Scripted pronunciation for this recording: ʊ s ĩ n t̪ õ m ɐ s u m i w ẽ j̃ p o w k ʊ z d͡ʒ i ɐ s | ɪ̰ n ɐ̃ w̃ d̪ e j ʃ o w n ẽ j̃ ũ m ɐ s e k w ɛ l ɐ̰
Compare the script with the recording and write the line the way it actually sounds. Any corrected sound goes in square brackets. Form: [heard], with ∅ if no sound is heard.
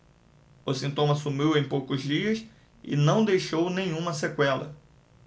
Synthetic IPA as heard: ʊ s ĩ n t̪ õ m ɐ s u m i w ẽ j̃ p o w k ʊ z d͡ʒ i ɐ s | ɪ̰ n ɐ̃ w̃ d̪ e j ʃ o w n ẽ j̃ ũ m ɐ s e k w ɛ l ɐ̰